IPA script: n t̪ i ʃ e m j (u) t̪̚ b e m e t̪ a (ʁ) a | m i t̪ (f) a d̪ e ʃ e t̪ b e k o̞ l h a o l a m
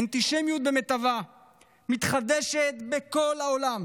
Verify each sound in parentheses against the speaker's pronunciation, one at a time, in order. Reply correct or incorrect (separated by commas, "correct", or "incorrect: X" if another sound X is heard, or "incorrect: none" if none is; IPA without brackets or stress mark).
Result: correct, incorrect: v, incorrect: χ